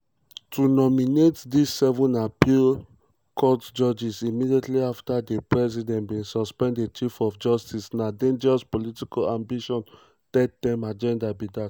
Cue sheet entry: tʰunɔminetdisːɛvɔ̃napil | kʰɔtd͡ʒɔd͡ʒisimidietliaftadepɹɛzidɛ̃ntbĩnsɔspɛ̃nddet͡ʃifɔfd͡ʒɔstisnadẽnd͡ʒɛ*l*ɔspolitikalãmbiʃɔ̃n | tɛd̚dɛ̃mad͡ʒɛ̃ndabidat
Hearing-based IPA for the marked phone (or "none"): ɹ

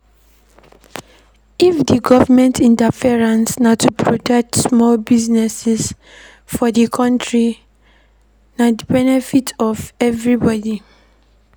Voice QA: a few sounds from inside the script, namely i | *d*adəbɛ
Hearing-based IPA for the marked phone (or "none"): n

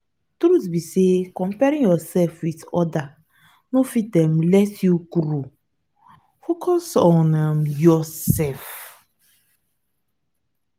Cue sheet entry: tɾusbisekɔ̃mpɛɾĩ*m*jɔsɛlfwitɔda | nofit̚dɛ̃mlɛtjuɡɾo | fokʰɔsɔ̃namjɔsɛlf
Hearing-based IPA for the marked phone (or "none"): ŋ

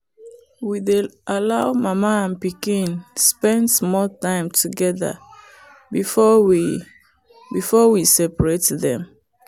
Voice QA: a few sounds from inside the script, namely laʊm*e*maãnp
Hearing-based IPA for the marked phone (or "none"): a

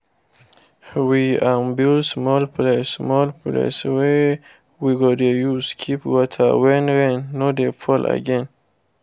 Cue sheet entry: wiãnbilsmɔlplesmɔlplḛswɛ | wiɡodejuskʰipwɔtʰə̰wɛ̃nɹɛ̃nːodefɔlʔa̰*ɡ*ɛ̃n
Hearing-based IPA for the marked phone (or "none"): ɡ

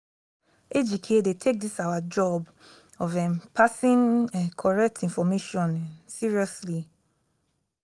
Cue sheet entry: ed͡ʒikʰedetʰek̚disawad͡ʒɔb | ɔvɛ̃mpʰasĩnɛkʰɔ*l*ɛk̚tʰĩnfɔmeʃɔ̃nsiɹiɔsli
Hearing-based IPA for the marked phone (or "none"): ɹ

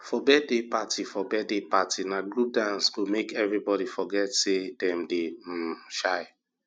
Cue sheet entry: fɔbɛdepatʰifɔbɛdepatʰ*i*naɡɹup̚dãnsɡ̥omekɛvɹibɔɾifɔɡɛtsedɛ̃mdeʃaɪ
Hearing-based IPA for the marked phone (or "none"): i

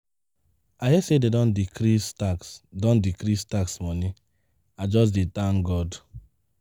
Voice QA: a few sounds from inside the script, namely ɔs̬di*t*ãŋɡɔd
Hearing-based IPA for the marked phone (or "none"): t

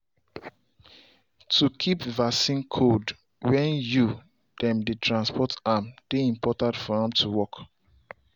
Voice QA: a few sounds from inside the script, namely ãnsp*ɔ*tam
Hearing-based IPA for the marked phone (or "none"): ɔ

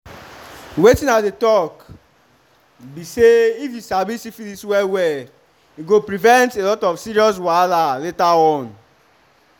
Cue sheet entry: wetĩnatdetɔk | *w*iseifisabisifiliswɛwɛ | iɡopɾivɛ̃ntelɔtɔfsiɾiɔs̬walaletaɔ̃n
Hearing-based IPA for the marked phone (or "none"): b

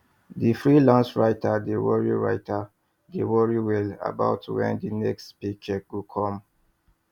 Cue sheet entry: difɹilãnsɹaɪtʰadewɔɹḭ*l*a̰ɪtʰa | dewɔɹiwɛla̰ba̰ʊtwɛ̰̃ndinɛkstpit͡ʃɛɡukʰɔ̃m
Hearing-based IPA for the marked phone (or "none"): ɹ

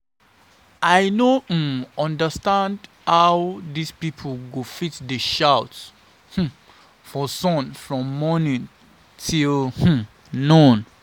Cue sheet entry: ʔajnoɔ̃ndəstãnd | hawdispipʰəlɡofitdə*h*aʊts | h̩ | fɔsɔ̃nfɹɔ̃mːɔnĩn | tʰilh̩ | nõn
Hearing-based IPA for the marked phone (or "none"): ʃ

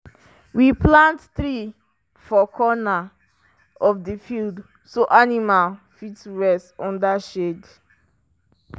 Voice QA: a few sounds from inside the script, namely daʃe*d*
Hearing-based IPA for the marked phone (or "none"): d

